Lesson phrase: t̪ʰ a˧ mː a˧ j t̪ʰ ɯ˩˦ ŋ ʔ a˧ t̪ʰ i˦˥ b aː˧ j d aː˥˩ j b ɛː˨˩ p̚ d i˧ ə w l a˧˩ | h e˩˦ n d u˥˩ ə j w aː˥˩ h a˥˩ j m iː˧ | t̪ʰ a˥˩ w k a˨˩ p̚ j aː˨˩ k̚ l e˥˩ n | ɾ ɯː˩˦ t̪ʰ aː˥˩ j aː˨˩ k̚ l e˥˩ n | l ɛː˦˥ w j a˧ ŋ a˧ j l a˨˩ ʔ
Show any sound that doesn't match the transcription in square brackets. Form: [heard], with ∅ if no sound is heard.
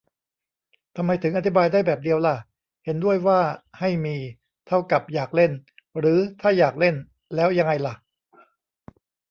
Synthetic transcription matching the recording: t̪ʰ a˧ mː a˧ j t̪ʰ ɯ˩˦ ŋ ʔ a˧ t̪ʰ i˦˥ b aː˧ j d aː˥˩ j b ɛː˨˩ p̚ d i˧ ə w l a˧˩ | h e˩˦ n d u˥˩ ə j w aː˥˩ h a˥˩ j m iː˧ | t̪ʰ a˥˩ w k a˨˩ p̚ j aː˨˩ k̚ l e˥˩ n | ɾ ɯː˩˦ t̪ʰ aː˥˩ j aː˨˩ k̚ l e˥˩ n | l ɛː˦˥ w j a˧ ŋ a˧ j l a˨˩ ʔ

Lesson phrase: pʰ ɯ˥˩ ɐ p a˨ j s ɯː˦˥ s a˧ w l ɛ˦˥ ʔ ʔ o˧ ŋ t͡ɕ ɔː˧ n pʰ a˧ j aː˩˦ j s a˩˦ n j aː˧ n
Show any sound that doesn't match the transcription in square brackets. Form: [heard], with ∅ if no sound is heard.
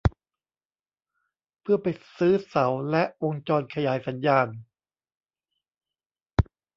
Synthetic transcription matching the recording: pʰ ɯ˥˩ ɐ p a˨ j s ɯː˦˥ s [a˩˦] w l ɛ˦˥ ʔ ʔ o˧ ŋ t͡ɕ ɔː˧ n [kʰ] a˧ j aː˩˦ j s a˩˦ n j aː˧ n

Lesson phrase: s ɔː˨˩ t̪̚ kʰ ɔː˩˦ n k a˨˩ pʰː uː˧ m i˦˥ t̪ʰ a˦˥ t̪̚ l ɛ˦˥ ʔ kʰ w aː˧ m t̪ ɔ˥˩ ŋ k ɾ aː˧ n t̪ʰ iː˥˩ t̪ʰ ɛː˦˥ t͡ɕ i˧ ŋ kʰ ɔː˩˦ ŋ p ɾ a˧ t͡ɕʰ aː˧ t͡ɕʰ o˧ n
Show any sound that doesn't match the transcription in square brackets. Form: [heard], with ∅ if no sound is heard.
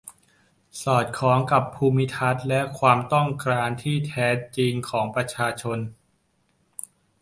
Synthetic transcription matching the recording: s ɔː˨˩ t̪̚ kʰ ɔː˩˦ [ŋ] k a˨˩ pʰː uː˧ m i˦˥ t̪ʰ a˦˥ t̪̚ l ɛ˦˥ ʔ kʰ w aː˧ m t̪ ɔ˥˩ ŋ k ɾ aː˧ n t̪ʰ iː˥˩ t̪ʰ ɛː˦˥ t͡ɕ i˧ ŋ kʰ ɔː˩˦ ŋ p ɾ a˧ t͡ɕʰ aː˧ t͡ɕʰ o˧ n

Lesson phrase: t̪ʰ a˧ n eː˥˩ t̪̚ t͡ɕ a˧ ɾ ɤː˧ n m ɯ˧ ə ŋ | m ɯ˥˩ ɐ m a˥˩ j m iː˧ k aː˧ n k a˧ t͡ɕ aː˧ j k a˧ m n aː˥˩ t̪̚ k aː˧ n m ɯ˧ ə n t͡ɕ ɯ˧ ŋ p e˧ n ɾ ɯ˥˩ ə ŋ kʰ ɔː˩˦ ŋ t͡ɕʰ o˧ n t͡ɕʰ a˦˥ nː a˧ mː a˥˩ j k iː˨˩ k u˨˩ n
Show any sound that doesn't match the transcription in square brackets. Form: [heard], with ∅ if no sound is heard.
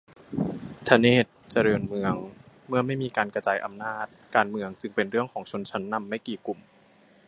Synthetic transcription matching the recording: t̪ʰ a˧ n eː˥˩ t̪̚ t͡ɕ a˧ ɾ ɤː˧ n m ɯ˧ ə ŋ | m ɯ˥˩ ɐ m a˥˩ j m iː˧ k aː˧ n k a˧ t͡ɕ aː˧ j [ʔ] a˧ m n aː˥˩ t̪̚ k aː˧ n m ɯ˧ ə [ŋ] t͡ɕ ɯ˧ ŋ p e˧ n ɾ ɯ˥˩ ə ŋ kʰ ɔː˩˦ ŋ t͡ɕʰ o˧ n t͡ɕʰ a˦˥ nː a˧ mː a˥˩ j k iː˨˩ k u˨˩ [m]

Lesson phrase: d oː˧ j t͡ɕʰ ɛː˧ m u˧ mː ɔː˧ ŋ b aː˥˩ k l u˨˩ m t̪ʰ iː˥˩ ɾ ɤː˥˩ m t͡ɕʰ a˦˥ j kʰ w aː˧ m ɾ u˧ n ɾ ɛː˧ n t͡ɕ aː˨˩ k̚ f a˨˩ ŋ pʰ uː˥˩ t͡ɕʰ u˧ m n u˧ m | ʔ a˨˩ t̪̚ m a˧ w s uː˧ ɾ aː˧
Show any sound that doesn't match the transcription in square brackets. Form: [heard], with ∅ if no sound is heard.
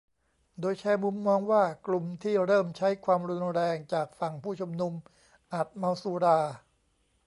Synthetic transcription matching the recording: d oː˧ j t͡ɕʰ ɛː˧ m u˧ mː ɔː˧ ŋ [w] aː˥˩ k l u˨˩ m t̪ʰ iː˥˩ ɾ ɤː˥˩ m t͡ɕʰ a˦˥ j kʰ w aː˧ m ɾ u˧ n ɾ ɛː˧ [ŋ] t͡ɕ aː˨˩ k̚ f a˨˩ ŋ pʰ uː˥˩ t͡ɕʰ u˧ m n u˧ m | ʔ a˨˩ t̪̚ m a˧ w s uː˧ ɾ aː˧

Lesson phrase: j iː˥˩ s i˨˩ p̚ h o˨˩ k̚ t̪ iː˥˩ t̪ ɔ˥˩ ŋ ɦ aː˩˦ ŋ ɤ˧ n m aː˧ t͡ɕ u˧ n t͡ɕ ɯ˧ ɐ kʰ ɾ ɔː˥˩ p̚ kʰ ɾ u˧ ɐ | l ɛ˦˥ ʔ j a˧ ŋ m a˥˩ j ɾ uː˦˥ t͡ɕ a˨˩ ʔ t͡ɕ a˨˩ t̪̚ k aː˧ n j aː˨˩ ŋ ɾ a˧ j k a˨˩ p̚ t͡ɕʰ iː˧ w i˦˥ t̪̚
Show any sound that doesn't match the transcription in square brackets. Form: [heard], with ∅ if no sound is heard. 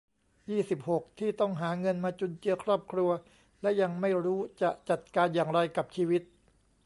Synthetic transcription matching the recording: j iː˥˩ s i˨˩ p̚ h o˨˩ k̚ [t̪ʰ] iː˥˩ t̪ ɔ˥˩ ŋ ɦ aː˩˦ ŋ ɤ˧ n m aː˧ t͡ɕ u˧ n t͡ɕ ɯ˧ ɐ kʰ ɾ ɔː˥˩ p̚ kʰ ɾ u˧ ɐ | l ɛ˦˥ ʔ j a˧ ŋ m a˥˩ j ɾ uː˦˥ t͡ɕ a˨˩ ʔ t͡ɕ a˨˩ t̪̚ k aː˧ n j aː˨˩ ŋ ɾ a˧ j k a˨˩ p̚ t͡ɕʰ iː˧ w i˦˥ t̪̚

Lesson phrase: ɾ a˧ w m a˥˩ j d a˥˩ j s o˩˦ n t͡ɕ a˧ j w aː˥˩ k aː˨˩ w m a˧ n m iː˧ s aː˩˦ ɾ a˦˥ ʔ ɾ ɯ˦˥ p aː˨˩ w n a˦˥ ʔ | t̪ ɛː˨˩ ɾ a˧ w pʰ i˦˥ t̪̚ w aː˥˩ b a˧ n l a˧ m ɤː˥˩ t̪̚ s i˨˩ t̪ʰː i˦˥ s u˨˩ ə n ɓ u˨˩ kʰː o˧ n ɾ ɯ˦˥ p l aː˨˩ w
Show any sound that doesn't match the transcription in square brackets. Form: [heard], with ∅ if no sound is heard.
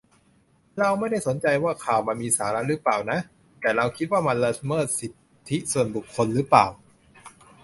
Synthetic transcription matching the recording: ɾ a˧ w m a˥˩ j d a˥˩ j s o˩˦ n t͡ɕ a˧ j w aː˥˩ [kʰ] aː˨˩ w m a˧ n m iː˧ s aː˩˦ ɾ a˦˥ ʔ ɾ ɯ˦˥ p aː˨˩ w n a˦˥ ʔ | t̪ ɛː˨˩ ɾ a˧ w [kʰ] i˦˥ t̪̚ w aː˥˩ [m] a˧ n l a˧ m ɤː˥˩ t̪̚ s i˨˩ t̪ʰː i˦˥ s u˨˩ ə n [b] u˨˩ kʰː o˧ n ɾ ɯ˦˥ p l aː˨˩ w

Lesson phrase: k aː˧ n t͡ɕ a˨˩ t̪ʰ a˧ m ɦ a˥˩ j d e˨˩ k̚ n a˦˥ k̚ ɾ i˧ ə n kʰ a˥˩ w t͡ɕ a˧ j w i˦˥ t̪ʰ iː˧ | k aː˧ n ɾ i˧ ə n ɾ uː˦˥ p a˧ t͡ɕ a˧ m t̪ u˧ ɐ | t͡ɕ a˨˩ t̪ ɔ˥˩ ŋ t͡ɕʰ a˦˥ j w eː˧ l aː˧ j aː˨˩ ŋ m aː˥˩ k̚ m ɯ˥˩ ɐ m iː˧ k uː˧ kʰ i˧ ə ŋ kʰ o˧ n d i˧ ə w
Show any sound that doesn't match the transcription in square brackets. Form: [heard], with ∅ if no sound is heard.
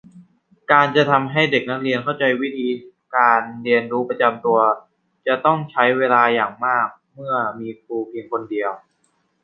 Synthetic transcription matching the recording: k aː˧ n t͡ɕ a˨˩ t̪ʰ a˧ m ɦ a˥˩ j d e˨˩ k̚ n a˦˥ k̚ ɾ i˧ ə n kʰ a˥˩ w t͡ɕ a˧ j w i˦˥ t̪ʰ iː˧ | k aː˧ n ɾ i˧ ə n ɾ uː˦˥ p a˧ t͡ɕ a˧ m t̪ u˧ ɐ | t͡ɕ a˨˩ t̪ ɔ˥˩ ŋ t͡ɕʰ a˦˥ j w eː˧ l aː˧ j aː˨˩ ŋ m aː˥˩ k̚ m ɯ˥˩ ɐ m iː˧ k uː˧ [pʰ] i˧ ə ŋ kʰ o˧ n d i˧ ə w

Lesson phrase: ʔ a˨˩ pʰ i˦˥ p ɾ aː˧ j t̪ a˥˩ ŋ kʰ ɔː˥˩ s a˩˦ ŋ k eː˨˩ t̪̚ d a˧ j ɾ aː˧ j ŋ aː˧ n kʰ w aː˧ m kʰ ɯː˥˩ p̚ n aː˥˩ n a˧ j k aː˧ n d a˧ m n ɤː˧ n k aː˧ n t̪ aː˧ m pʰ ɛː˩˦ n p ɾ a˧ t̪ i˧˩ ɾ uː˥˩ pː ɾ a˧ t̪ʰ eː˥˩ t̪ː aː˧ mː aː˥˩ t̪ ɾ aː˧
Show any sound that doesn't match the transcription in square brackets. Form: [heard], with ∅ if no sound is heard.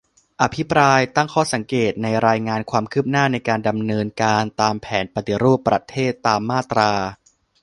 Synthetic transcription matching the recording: ʔ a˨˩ pʰ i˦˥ p ɾ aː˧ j t̪ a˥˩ ŋ kʰ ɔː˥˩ s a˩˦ ŋ k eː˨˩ t̪̚ [n] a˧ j ɾ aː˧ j ŋ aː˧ n kʰ w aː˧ m kʰ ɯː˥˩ p̚ n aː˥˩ n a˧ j k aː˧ n d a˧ m n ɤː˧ n k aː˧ n t̪ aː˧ m pʰ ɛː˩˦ n p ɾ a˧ t̪ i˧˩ ɾ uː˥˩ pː ɾ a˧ t̪ʰ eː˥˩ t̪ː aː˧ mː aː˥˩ t̪ ɾ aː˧

